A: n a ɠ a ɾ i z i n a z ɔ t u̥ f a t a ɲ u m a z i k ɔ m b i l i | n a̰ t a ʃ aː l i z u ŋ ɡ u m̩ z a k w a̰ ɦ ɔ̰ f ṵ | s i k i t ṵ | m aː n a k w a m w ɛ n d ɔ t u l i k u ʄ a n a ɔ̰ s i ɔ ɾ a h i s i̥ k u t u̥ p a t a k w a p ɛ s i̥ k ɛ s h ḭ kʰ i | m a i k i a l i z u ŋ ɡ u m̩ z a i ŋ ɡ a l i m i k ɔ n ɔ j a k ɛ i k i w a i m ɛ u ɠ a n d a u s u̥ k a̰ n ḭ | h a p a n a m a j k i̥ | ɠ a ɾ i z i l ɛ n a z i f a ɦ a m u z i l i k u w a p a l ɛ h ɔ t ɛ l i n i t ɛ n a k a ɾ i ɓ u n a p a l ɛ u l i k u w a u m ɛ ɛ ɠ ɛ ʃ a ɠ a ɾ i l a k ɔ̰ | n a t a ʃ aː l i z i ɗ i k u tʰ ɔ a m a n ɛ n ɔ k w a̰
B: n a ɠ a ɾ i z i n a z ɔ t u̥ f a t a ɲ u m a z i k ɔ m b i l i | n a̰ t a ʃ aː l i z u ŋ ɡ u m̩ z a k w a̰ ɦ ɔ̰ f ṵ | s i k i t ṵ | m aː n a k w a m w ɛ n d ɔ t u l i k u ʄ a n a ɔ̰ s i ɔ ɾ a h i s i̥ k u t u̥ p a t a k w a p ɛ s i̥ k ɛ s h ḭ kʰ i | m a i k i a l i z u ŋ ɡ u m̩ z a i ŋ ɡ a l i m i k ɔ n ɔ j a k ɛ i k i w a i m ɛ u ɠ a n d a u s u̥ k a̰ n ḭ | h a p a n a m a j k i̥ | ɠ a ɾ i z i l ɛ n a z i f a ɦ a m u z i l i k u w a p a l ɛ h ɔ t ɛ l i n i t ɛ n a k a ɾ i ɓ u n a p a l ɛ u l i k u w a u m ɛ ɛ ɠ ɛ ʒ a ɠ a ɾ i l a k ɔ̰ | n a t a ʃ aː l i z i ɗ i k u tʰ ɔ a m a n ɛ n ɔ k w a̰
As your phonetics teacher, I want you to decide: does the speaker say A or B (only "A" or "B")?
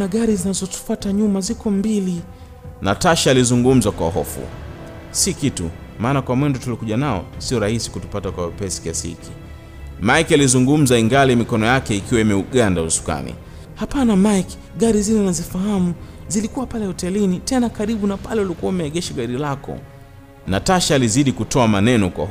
A